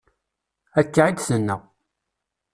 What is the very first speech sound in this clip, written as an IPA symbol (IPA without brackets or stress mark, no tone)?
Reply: æ